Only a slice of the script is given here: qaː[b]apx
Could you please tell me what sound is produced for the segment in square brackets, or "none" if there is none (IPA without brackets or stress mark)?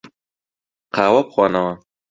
w